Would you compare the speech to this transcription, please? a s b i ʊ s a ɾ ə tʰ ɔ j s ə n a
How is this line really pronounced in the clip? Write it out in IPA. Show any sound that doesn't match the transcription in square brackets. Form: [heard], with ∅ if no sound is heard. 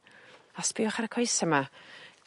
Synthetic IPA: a s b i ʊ [χ] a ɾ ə [kʰ] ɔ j s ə [m] a